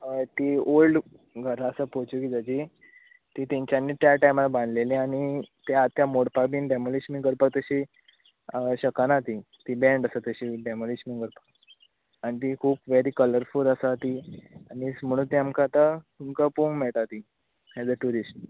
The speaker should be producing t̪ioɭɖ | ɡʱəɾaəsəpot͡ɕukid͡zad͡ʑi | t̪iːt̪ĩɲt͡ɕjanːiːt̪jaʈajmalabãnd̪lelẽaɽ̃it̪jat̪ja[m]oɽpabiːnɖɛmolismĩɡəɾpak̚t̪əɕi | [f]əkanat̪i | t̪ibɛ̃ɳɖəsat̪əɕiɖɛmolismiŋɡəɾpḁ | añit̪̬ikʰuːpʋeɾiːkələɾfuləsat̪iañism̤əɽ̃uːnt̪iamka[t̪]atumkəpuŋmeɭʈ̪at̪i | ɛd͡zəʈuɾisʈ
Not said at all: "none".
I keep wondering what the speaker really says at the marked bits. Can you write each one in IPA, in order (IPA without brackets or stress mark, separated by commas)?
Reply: m, ɕ, t̪